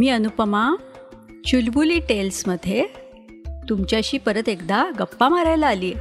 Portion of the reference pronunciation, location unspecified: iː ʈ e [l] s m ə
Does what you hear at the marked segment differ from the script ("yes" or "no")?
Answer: no